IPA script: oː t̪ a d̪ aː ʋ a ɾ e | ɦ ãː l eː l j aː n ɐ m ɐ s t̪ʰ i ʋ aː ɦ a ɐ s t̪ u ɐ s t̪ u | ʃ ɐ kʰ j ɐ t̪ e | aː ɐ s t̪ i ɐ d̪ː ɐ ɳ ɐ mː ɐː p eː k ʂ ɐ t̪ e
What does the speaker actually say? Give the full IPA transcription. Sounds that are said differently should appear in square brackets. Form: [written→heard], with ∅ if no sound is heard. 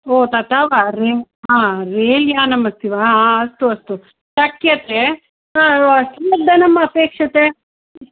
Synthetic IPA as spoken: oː t̪ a [d̪→t̪] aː ʋ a ɾ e | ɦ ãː [l→ɾ] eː l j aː n ɐ m ɐ s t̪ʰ i ʋ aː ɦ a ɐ s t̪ u ɐ s t̪ u | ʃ ɐ [kʰ→k] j ɐ t̪ e | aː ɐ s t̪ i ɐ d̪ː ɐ [ɳ→n] ɐ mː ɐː p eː k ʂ ɐ t̪ e